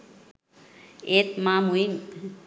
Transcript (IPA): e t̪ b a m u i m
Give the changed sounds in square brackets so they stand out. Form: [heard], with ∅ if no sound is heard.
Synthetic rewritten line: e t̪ [m] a m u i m

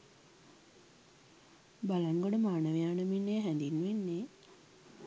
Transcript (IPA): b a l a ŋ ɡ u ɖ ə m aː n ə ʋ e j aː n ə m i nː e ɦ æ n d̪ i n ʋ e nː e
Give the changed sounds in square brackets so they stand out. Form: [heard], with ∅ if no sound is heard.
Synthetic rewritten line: b a l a ŋ ɡ [o] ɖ ə m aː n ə ʋ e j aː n ə m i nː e ɦ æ n d̪ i n ʋ e nː e

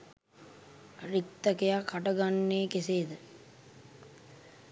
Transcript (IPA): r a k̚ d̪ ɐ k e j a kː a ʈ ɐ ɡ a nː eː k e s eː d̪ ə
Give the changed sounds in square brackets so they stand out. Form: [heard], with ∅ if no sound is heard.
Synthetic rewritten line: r [i] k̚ [t̪] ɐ k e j a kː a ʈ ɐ ɡ a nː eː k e s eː d̪ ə

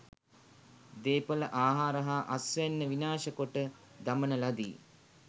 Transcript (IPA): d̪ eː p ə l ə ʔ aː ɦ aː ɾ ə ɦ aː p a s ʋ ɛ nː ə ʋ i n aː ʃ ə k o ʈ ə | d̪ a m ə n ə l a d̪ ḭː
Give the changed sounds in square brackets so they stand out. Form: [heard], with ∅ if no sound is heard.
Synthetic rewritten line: d̪ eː p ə l ə ʔ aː ɦ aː ɾ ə ɦ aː [ʔ] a s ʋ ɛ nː ə ʋ i n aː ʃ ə k o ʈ ə | d̪ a m ə n ə l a d̪ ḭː

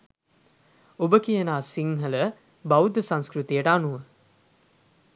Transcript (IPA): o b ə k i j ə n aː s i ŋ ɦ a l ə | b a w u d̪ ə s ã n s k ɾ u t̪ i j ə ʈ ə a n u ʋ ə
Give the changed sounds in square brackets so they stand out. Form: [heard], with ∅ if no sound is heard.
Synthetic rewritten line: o b ə k i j ə n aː s i ŋ ɦ [ə] l ə | b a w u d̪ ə s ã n s k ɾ u t̪ i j ə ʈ ə a n u ʋ ə

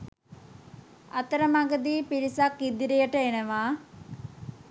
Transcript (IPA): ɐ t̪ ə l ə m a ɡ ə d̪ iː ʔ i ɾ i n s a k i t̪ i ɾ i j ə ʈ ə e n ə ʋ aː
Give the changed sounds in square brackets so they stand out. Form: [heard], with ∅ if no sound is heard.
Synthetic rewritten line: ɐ t̪ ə [ɾ] ə m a ɡ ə d̪ iː [p] i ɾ i [∅] s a k i [d̪] i ɾ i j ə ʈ ə e n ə ʋ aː

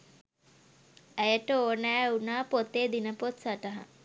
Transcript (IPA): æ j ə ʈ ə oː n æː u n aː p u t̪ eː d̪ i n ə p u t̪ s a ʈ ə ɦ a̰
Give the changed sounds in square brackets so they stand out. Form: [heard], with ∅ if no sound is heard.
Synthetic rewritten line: æ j ə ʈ ə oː n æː u n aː p [o] t̪ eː d̪ i n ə p [o] t̪ s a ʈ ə ɦ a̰

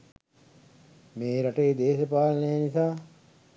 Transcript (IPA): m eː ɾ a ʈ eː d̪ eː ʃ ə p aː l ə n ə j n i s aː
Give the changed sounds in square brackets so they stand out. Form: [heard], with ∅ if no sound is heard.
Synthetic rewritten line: m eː ɾ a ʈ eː d̪ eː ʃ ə p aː l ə n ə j n i s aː

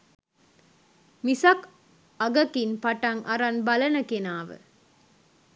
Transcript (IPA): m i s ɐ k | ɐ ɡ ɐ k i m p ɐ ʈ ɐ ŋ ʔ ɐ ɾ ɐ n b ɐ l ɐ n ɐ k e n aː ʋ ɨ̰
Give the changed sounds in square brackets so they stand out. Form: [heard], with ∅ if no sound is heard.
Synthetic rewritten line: m i s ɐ k | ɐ ɡ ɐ k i [n] p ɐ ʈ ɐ ŋ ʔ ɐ ɾ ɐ n b ɐ l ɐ n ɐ k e n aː ʋ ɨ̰

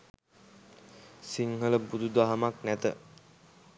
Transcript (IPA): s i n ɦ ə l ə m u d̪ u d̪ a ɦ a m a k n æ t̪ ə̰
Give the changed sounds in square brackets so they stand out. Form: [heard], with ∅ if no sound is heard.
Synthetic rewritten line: s i [ŋ] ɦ ə l ə [b] u d̪ u d̪ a ɦ a m a k n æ t̪ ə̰

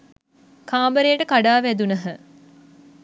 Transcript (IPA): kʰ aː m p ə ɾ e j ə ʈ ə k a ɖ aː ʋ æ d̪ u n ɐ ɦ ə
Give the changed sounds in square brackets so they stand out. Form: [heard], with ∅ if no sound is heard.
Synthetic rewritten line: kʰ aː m [b] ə ɾ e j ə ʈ ə k a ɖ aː ʋ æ d̪ u n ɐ ɦ ə

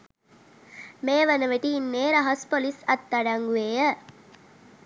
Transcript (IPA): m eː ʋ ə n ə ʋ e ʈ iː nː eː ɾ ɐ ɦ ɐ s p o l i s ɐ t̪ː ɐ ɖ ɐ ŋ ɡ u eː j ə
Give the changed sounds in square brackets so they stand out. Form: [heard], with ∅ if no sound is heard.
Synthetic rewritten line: m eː ʋ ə n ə ʋ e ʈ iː nː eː ɾ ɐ ɦ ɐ s p o l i s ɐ t̪ː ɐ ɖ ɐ ŋ ɡ u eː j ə

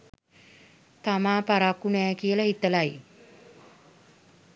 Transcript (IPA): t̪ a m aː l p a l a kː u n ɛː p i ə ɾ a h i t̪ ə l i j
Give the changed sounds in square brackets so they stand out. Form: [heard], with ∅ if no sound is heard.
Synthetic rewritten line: t̪ a m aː [∅] p a [ɾ] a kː u n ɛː [k] i ə [l] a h i t̪ ə l [a] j

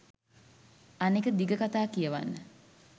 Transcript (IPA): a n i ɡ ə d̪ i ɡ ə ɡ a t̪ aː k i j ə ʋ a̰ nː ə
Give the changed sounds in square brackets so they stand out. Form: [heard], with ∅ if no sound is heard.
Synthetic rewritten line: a n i [k] ə d̪ i ɡ ə [k] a t̪ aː k i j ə ʋ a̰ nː ə

